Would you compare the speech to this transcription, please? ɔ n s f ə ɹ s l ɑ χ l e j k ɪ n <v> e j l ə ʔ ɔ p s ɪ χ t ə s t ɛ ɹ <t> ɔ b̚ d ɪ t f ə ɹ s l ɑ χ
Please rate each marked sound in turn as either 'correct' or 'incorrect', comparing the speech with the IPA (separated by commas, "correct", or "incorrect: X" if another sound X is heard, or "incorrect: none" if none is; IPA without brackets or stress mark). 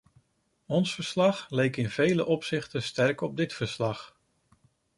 correct, incorrect: k